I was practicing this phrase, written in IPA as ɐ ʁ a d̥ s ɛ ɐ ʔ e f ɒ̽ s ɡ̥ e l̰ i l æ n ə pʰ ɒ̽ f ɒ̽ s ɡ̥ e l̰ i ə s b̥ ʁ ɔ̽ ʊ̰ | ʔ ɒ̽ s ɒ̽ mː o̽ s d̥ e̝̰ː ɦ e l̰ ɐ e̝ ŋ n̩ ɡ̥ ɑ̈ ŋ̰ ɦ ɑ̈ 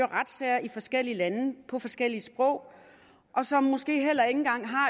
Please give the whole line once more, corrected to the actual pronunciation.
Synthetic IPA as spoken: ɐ ʁ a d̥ s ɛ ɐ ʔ i f ɒ̽ s ɡ̥ e l̰ i l æ n ə pʰ ɒ̽ f ɒ̽ s ɡ̥ e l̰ i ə s b̥ ʁ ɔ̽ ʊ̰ | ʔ ɒ̽ s ɒ̽ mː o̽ s ɡ̥ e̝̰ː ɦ e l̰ ɐ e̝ ŋ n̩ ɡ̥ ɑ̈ ŋ̰ ɦ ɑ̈